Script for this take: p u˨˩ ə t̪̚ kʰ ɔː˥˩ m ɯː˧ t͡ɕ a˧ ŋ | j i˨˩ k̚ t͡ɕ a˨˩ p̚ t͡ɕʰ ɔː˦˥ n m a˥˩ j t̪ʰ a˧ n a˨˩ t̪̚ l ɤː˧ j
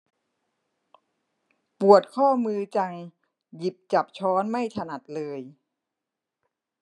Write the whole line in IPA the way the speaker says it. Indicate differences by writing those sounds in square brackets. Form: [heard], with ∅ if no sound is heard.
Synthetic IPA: p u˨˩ ə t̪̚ kʰ ɔː˥˩ m ɯː˧ t͡ɕ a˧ ŋ | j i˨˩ [p̚] t͡ɕ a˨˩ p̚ t͡ɕʰ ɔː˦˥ n m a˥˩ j t̪ʰ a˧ n a˨˩ t̪̚ l ɤː˧ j